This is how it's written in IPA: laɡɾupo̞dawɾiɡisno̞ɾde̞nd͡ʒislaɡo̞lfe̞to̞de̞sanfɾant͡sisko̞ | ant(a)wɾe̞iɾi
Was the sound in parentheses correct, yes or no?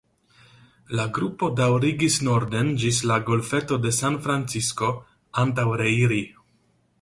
yes